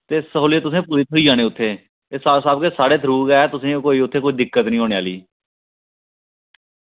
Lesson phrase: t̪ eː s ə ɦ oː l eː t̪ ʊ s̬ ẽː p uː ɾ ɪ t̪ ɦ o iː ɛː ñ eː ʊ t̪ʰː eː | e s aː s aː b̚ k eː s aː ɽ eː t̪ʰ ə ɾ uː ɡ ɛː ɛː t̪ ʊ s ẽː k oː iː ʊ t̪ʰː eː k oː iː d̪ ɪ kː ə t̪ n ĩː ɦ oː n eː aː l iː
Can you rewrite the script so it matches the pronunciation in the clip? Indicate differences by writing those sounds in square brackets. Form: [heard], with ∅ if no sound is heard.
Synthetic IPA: t̪ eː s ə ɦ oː l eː t̪ ʊ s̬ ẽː p uː ɾ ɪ t̪ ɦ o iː [aː] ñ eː ʊ t̪ʰː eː | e s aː s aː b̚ k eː s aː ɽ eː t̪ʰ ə ɾ uː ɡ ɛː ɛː t̪ ʊ s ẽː k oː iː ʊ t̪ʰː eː k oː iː d̪ ɪ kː ə t̪ n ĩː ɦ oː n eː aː l iː

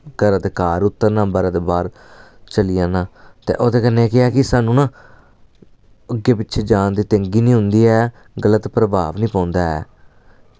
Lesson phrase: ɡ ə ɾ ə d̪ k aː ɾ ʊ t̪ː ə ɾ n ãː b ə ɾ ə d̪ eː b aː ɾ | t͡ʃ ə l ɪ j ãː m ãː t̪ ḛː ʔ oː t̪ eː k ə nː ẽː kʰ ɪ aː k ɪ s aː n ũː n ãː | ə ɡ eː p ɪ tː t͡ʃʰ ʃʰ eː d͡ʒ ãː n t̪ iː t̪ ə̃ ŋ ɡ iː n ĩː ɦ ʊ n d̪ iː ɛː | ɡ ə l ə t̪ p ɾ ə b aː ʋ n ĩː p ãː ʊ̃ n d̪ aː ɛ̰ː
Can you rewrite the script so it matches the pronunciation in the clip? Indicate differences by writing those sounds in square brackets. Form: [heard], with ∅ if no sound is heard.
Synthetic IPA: ɡ ə ɾ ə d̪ k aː ɾ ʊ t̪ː ə ɾ n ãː b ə ɾ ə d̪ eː b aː ɾ | t͡ʃ ə l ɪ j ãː [n] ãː t̪ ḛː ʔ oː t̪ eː k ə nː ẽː [k] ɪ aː k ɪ s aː n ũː n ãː | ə ɡ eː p ɪ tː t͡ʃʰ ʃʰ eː d͡ʒ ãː n [d̪] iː t̪ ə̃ ŋ ɡ iː n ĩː ɦ ʊ n d̪ iː ɛː | ɡ ə l ə t̪ p ɾ ə b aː ʋ n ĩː p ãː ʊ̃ n d̪ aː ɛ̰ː

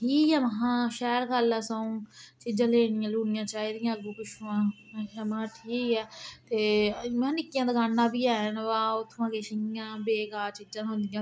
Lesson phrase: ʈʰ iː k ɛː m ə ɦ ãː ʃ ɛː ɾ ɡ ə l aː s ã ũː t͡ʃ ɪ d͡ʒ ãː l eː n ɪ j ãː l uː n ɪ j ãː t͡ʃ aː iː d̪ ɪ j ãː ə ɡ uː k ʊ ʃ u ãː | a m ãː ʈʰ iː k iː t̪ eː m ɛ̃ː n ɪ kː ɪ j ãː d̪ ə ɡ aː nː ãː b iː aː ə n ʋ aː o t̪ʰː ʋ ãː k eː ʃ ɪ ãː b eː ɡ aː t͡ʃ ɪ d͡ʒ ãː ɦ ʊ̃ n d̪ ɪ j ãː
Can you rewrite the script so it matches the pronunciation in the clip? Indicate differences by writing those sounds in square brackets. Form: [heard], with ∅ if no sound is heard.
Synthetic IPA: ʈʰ iː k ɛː m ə ɦ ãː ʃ ɛː ɾ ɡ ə l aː s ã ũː t͡ʃ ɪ d͡ʒ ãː l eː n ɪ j ãː l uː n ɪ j ãː t͡ʃ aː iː d̪ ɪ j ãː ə ɡ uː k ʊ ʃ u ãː | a m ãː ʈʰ iː k [ɛː] t̪ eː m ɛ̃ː n ɪ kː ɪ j ãː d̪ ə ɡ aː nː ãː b iː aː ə n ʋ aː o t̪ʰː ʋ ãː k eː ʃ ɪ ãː b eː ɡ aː t͡ʃ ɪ d͡ʒ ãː ɦ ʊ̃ n d̪ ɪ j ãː

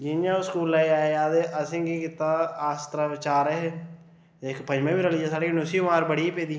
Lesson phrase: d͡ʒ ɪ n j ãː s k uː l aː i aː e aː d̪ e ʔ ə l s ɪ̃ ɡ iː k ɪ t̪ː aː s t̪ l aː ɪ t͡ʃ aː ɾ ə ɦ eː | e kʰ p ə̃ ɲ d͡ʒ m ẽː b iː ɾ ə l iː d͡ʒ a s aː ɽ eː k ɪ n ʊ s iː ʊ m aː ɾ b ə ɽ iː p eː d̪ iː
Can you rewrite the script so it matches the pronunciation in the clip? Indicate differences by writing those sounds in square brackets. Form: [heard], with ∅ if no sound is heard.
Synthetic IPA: d͡ʒ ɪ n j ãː s k uː l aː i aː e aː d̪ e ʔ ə [∅] s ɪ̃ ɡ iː k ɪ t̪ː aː s t̪ [ɾ] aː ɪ t͡ʃ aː ɾ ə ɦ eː | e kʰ p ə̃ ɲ d͡ʒ m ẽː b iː ɾ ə l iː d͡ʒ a s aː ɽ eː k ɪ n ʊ s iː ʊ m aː ɾ b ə ɽ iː p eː d̪ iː

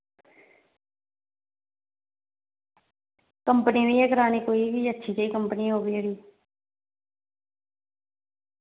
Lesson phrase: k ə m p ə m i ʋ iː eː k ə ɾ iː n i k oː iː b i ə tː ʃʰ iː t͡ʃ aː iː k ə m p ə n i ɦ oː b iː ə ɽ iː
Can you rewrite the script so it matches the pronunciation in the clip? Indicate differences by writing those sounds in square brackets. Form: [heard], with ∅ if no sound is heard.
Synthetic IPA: k ə m p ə [n] i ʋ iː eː k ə ɾ [aː] n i k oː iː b i ə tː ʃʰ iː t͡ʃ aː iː k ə m p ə n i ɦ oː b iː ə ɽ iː

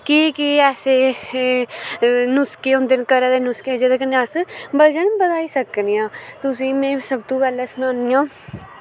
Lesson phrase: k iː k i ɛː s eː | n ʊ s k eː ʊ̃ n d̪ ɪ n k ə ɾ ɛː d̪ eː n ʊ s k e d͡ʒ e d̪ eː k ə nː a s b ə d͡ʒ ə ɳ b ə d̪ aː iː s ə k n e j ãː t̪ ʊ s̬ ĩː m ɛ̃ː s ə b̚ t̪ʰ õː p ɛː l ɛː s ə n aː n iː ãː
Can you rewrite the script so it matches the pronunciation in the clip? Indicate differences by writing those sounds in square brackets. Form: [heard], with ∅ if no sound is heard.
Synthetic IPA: k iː k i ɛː s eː | n ʊ s k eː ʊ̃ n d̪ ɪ n k ə ɾ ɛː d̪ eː n ʊ s k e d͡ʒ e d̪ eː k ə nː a s b ə d͡ʒ ə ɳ b ə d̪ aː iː s ə k n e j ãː t̪ ʊ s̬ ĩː m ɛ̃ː s ə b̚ [t̪] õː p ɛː l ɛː s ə n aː n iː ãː

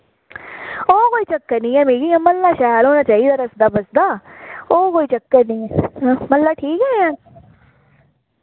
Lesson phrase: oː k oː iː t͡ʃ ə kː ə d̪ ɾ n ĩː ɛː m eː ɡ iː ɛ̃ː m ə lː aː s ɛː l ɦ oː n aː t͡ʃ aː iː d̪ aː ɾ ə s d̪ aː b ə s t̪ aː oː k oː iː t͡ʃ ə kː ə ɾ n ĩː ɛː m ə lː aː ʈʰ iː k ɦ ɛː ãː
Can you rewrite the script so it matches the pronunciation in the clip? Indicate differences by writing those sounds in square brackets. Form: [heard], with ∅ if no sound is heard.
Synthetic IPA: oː k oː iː t͡ʃ ə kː ə [∅] ɾ n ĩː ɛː m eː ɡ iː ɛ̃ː m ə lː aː [ʃ] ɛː l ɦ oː n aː t͡ʃ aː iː d̪ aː ɾ ə s d̪ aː b ə s [d̪] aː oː k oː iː t͡ʃ ə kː ə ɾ n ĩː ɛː m ə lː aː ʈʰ iː k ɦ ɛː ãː

